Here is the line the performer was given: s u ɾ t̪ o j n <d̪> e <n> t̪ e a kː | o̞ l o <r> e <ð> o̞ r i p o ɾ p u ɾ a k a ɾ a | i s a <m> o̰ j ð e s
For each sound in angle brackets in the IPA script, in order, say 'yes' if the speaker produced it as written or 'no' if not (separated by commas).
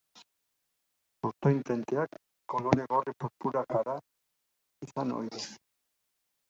no, yes, no, no, no